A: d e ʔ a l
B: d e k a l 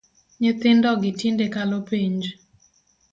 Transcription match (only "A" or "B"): B